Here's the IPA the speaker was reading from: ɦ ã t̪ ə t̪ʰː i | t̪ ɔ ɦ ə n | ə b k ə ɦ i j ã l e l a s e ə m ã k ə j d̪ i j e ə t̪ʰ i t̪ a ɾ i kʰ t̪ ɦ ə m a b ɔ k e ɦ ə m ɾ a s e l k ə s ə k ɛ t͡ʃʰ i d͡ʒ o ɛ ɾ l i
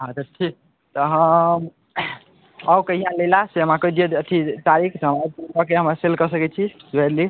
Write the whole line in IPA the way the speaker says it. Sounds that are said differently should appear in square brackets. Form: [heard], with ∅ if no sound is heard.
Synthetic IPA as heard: ɦ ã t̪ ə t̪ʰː i | t̪ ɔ ɦ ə [m] | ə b k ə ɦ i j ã l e l a s e ə m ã k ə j d̪ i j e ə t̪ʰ i t̪ a ɾ i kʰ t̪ ɦ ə m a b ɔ k e ɦ ə m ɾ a s e l k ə s ə k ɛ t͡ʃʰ i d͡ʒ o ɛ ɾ l i